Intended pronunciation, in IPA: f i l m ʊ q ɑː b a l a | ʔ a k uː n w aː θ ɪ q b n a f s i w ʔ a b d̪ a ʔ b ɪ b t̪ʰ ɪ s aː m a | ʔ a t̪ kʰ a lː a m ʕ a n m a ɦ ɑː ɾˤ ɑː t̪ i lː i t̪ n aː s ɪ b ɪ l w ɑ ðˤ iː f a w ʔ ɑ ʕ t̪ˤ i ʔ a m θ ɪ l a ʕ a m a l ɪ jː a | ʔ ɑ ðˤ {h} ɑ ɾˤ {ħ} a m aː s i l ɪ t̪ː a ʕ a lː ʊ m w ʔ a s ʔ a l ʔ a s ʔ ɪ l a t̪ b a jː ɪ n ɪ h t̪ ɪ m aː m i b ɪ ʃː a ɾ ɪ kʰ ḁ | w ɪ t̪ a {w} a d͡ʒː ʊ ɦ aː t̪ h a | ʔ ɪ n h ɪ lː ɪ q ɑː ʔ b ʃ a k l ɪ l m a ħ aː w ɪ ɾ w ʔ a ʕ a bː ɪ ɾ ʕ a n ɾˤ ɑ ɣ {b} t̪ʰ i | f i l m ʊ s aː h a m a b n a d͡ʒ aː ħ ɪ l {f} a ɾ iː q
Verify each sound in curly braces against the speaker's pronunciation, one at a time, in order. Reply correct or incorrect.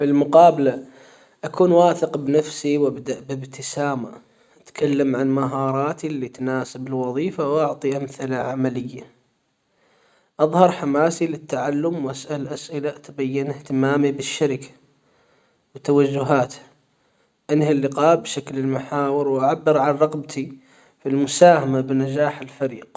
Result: correct, correct, correct, correct, correct

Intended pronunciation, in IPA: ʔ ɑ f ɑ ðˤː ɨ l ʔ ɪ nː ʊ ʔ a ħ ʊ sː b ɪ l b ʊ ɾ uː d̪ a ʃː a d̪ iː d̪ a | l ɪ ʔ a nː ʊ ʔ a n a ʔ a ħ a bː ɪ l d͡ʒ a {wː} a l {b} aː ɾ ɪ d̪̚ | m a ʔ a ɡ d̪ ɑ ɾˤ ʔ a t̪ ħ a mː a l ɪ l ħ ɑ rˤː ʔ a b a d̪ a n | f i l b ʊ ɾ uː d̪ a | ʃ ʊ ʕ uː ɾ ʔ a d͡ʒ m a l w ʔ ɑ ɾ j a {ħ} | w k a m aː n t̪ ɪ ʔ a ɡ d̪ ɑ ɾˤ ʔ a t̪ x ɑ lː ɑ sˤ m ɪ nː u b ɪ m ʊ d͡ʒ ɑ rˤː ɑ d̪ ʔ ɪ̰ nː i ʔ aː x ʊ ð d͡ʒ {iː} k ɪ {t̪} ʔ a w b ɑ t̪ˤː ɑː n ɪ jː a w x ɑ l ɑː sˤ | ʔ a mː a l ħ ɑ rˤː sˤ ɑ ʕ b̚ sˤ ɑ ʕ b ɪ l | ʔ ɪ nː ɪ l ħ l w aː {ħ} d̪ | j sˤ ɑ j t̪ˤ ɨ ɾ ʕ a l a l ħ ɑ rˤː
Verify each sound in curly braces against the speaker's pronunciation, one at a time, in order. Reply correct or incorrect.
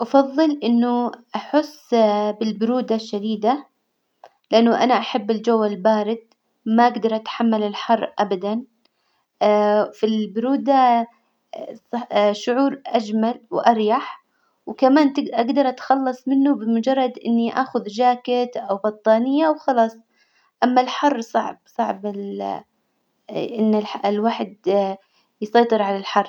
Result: correct, correct, correct, incorrect: aː, correct, correct

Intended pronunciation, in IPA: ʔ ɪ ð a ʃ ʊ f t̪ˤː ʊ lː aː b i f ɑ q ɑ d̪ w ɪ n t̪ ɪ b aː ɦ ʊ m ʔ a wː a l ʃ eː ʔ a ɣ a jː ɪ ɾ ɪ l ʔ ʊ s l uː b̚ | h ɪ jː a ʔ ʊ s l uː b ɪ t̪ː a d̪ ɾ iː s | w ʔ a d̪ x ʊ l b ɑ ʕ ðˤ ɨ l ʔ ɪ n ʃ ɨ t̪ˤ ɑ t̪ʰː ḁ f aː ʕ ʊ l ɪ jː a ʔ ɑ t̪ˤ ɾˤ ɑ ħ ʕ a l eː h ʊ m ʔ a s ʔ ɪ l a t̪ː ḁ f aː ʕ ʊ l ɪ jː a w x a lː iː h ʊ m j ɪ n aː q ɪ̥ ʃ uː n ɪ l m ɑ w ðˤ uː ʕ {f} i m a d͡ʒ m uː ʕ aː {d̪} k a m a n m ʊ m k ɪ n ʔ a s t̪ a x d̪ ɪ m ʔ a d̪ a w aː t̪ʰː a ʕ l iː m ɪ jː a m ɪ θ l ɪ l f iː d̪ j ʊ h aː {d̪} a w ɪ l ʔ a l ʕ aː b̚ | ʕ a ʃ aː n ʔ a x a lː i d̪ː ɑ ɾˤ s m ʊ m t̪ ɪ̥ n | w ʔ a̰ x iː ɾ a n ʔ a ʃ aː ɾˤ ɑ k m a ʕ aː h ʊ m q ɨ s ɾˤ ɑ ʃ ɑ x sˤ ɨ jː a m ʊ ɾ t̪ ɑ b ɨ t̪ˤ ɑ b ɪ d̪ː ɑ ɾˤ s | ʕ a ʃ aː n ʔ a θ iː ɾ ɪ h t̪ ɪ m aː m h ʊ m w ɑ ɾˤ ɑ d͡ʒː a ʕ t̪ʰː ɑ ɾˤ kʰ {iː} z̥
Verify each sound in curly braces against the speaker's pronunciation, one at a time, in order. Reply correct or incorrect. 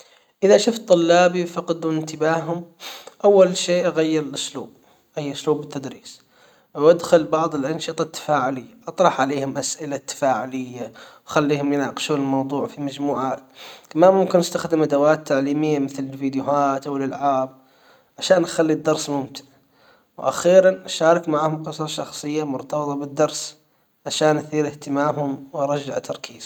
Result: correct, incorrect: t̪, incorrect: t̪, correct

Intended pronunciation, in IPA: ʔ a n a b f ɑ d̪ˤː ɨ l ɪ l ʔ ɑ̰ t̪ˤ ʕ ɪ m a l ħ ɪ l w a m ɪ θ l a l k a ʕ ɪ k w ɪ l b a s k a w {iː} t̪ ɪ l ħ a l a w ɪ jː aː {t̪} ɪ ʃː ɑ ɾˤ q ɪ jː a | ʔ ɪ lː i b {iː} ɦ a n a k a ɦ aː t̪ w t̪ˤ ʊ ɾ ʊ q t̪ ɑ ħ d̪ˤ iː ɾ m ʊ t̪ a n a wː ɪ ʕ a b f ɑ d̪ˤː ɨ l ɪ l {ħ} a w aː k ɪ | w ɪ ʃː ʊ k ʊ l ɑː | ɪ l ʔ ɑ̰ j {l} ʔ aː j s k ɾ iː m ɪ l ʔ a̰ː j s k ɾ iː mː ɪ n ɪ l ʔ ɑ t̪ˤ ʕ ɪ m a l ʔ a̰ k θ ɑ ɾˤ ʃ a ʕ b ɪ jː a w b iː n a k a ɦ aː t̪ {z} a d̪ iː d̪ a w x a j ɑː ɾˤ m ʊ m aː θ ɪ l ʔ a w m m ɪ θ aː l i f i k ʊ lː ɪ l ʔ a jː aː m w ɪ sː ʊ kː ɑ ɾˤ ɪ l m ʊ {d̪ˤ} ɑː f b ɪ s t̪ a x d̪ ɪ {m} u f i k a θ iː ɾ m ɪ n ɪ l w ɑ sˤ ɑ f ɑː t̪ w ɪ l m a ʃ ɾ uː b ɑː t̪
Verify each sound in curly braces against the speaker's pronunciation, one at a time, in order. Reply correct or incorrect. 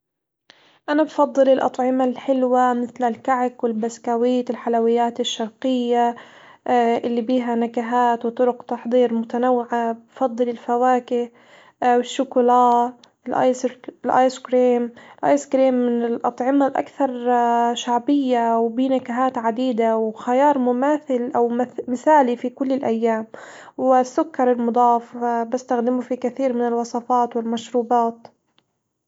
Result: correct, correct, correct, incorrect: f, correct, incorrect: ʕ, correct, correct

